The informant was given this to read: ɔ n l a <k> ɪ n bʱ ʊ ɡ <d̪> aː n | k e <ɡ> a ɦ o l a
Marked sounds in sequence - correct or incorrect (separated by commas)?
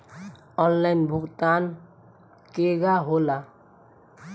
incorrect, incorrect, correct